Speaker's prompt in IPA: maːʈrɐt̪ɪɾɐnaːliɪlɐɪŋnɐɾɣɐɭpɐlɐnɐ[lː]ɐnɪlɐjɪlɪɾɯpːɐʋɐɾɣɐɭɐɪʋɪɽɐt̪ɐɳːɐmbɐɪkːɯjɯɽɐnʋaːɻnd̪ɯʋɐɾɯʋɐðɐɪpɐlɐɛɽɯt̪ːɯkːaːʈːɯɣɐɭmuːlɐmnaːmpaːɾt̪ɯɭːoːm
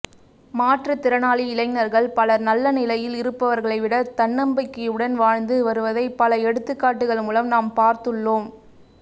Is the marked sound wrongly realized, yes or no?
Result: no